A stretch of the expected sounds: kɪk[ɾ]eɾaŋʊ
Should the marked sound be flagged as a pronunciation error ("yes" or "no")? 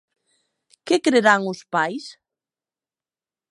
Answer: no